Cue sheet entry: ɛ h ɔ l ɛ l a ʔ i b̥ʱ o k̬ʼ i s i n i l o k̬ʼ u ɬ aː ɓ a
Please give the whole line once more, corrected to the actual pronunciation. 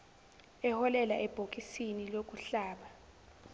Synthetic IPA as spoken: ɛ h ɔ l ɛ l a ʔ ɛ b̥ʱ o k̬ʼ i s i n i l o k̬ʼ u ɬ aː ɓ a